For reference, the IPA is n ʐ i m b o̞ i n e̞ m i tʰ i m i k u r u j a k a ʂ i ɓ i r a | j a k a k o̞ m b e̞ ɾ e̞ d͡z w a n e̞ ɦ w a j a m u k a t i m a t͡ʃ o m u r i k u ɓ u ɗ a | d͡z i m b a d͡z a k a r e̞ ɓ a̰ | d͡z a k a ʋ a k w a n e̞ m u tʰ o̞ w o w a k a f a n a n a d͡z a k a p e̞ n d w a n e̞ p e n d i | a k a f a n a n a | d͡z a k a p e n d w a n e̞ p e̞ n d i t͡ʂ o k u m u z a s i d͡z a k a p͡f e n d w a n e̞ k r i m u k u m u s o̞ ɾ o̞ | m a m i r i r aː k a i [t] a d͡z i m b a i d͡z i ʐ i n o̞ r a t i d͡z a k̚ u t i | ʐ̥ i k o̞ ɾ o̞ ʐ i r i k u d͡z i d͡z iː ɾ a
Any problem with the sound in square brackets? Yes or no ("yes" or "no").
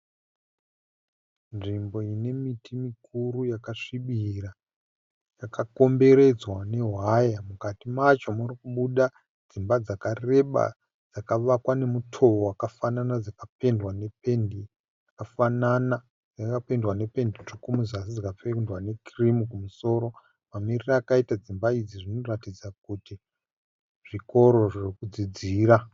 no